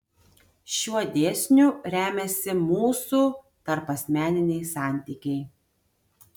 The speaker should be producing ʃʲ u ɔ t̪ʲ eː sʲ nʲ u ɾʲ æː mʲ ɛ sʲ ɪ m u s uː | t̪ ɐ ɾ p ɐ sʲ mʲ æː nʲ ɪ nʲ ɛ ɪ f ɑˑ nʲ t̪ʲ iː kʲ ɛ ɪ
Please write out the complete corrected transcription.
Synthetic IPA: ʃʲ u ɔ d̪ʲ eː sʲ nʲ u ɾʲ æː mʲ ɛ sʲ ɪ m uː s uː | t̪ ɐ ɾ p ɐ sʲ mʲ æː nʲ ɪ nʲ ɛ ɪ s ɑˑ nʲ t̪ʲ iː kʲ ɛ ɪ